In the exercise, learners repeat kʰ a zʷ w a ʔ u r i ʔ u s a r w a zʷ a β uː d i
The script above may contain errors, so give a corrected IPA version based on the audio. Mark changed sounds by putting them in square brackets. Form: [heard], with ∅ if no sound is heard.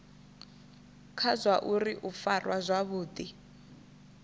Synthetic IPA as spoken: kʰ a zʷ w a ʔ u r i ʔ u [f] a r w a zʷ a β uː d i